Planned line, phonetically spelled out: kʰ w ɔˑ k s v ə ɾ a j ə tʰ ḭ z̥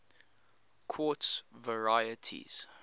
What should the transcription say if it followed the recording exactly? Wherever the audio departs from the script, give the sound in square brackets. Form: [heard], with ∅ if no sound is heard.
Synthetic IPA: kʰ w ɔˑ [t] s v ə [ɹ] a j ə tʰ ḭ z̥